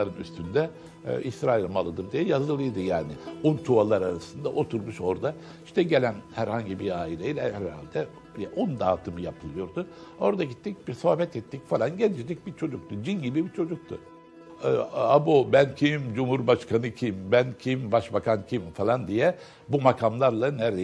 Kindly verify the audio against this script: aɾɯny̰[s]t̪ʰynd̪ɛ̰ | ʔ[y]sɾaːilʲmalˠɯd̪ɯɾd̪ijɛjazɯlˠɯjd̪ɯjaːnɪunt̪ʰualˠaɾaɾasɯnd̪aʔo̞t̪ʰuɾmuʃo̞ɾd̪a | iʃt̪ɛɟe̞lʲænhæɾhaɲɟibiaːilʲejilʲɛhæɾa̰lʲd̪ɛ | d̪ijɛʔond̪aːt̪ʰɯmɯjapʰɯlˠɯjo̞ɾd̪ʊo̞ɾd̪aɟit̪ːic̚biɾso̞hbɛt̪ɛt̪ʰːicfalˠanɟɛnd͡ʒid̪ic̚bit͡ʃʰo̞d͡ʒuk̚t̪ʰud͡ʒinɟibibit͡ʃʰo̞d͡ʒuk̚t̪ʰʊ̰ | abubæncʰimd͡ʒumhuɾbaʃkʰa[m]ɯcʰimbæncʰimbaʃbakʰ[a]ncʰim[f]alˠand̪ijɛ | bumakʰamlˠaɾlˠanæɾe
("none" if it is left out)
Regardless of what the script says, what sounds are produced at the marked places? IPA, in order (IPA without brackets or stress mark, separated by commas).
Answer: s, i, n, a, f